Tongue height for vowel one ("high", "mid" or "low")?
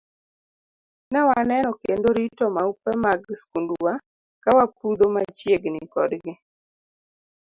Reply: mid